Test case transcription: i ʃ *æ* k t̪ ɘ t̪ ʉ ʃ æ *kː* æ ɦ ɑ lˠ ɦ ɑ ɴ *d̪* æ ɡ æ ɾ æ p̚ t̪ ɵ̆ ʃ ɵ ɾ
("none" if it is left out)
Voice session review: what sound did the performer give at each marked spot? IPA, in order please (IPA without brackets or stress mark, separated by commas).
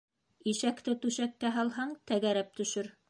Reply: æ, kː, t̪